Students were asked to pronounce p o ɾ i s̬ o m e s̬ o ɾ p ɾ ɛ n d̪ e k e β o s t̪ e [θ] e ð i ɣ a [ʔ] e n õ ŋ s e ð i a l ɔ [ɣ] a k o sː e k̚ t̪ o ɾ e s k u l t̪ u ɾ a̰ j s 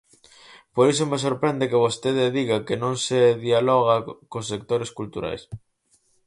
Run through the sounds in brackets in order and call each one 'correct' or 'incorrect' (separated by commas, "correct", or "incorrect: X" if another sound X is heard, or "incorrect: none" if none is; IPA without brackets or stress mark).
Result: incorrect: ð, incorrect: k, correct